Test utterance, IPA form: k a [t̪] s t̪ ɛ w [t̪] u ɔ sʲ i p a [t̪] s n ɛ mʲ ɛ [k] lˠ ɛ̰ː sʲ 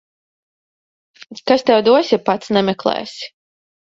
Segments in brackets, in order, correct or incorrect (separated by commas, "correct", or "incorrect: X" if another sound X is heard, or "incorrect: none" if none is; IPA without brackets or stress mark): incorrect: none, incorrect: d̪, correct, correct